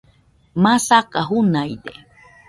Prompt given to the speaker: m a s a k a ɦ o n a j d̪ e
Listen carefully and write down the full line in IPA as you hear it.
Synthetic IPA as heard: m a s a k a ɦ u n a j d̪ e